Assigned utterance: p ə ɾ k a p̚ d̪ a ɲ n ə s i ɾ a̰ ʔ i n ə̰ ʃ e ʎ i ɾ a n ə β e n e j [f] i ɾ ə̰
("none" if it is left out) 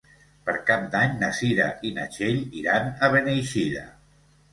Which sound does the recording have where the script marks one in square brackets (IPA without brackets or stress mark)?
ʃ